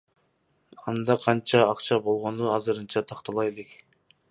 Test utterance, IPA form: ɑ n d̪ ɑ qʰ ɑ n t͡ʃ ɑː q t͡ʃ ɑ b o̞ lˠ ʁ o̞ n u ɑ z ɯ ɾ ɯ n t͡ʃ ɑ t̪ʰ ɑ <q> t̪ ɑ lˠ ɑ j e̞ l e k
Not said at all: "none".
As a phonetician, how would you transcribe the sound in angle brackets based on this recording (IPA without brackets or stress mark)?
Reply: q